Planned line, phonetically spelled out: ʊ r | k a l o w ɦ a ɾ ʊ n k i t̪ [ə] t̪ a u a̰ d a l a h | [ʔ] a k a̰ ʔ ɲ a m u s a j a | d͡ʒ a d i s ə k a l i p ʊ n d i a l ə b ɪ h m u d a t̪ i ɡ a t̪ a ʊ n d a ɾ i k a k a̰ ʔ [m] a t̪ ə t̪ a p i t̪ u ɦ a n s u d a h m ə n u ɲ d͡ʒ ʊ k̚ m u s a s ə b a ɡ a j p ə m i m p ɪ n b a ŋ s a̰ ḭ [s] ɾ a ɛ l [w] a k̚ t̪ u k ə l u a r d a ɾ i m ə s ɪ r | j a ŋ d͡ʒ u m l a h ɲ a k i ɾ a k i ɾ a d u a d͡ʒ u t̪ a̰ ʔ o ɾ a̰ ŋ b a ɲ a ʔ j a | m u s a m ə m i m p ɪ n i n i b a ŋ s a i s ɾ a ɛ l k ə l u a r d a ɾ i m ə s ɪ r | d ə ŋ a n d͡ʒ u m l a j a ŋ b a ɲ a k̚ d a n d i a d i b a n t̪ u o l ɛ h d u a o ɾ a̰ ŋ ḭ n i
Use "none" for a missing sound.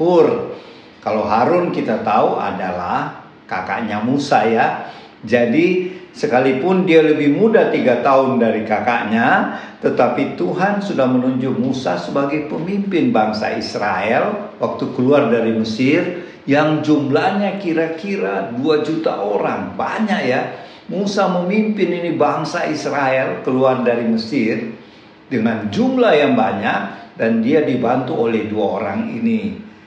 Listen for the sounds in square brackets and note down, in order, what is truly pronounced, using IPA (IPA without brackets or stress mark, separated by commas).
a, k, ɲ, s, w